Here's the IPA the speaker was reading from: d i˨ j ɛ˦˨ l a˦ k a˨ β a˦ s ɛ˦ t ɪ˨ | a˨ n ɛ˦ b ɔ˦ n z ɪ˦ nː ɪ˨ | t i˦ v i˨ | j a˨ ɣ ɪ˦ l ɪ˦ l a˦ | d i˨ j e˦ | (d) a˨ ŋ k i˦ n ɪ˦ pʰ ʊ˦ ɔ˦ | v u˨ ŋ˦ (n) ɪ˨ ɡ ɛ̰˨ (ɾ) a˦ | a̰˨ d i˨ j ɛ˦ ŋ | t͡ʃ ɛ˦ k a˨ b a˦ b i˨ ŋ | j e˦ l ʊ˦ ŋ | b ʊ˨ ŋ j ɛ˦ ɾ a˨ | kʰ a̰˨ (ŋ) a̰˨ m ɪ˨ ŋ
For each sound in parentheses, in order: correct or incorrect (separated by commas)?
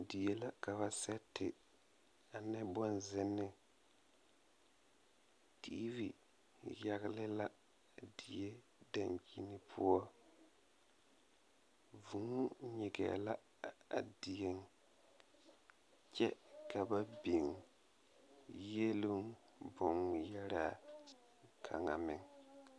correct, incorrect, incorrect, correct